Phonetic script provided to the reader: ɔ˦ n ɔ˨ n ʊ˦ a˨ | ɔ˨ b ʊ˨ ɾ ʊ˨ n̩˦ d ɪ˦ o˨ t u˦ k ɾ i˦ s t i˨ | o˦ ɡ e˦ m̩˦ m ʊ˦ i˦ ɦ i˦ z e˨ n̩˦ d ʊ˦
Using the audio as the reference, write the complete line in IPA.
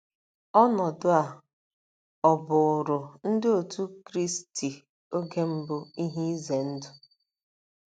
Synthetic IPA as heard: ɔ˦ n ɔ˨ d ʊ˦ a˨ | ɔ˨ b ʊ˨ ɾ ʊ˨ n̩˦ d ɪ˦ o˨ t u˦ k ɾ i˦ s t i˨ | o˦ ɡ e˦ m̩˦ b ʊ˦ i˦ ɦ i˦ z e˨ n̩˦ d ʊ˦